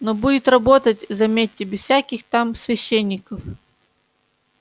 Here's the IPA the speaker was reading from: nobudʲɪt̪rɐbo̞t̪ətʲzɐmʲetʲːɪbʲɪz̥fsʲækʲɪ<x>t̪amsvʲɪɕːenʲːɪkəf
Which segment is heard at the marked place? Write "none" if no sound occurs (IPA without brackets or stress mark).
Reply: x